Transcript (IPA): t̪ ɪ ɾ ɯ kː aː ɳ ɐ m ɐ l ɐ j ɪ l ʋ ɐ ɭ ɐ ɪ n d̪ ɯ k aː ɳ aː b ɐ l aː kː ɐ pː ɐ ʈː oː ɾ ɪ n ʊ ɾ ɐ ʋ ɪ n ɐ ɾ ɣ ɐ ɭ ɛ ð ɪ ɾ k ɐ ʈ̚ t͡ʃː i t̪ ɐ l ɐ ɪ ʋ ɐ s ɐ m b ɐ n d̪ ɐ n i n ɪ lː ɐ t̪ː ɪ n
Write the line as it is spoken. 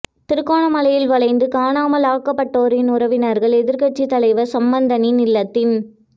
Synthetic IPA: t̪ ɪ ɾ ɯ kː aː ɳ ɐ m ɐ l ɐ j ɪ l ʋ ɐ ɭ ɐ ɪ n d̪ ɯ k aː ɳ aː m ɐ l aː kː ɐ pː ɐ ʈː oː ɾ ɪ n ʊ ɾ ɐ ʋ ɪ n ɐ ɾ ɣ ɐ ɭ ɛ ð ɪ ɾ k ɐ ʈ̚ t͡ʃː i t̪ ɐ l ɐ ɪ ʋ ɐ s ɐ m b ɐ n d̪ ɐ n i n ɪ lː ɐ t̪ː ɪ n